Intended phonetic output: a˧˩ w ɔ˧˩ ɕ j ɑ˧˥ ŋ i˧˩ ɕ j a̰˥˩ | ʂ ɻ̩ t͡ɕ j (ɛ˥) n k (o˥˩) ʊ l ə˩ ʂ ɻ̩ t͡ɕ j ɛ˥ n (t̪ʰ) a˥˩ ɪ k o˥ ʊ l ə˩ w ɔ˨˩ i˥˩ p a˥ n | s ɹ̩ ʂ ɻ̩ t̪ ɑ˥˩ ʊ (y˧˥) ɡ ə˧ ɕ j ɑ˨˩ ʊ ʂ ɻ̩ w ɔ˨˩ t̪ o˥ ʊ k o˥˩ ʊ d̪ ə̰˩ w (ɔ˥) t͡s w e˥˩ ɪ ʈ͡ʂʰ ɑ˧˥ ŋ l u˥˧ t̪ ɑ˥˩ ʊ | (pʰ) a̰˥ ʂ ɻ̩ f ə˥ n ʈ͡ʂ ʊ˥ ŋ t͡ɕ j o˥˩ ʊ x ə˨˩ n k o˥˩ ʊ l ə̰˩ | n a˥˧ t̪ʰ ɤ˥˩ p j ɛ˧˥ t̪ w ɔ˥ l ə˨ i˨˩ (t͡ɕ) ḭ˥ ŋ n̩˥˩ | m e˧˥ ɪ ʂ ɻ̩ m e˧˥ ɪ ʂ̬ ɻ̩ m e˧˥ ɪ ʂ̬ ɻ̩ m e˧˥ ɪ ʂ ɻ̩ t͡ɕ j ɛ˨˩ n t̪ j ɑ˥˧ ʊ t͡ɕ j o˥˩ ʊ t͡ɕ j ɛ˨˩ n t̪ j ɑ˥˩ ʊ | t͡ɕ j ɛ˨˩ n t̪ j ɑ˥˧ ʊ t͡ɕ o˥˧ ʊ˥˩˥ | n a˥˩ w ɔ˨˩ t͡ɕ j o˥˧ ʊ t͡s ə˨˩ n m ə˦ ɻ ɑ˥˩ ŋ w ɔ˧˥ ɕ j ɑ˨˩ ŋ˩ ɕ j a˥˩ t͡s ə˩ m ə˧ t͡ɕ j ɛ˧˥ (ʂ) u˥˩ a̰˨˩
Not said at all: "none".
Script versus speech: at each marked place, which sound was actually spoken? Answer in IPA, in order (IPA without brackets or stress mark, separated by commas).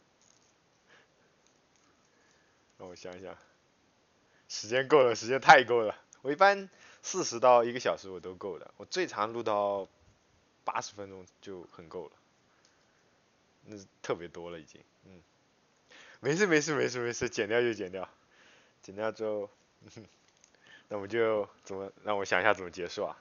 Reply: ɛ˥, o˥˩, t̪ʰ, i˧˥, ɔ˨˩, p, t͡ɕ, ʂ